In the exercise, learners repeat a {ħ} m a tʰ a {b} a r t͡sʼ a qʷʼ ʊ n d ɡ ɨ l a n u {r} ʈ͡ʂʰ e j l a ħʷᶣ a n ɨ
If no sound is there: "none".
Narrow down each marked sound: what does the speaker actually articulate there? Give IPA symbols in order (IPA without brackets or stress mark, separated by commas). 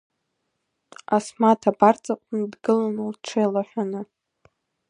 s, b, l